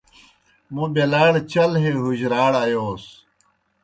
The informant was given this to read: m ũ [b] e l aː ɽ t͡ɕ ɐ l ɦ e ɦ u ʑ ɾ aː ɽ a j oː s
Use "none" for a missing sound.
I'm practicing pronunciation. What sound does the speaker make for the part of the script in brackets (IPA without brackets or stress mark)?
b